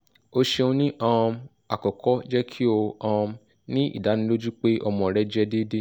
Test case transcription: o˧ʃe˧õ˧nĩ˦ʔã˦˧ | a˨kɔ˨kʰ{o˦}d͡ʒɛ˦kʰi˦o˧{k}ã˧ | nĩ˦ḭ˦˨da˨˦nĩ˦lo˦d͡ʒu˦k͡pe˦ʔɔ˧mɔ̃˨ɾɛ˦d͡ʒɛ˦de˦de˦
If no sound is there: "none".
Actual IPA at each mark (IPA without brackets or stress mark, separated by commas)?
ɔ˦, none